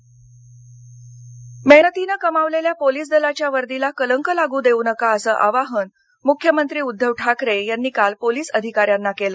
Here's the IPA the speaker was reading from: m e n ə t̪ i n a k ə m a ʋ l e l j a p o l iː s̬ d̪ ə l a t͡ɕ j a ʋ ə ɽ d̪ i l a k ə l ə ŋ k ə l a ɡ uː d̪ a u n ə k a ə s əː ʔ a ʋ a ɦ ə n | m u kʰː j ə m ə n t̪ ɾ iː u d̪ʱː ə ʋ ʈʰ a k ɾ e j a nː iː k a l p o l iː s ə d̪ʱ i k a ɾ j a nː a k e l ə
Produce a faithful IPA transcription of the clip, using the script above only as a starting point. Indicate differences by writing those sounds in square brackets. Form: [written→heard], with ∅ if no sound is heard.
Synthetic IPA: m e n ə t̪ i n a k ə m a ʋ l e l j a p o l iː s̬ d̪ ə l a t͡ɕ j a ʋ ə [ɽ→ɾ] d̪ i l a k ə l ə ŋ k ə l a ɡ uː d̪ [a→e] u n ə k a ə s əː ʔ a ʋ a ɦ ə n | m u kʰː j ə m ə n t̪ ɾ iː u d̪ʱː ə ʋ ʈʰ a k ɾ e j a nː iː k a l p o l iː s ə d̪ʱ i k a ɾ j a nː a k e l ə